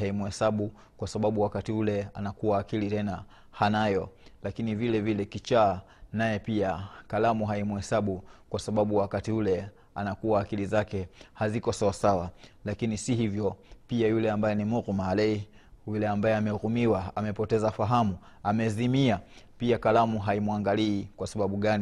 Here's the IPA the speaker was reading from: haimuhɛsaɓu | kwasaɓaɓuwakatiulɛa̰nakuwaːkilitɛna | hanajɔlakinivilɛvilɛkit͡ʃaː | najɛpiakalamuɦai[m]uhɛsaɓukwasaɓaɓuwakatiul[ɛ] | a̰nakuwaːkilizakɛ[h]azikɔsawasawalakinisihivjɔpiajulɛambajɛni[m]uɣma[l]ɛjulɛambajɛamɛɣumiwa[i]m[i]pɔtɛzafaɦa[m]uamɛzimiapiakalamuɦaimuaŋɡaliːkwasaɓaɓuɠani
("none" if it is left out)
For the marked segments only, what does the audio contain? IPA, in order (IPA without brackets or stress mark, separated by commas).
m, ɛ, h, m, l, a, ɛ, m